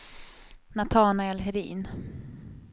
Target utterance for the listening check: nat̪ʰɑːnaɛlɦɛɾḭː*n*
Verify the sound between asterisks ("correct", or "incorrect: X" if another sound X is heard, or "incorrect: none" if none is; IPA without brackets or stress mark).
correct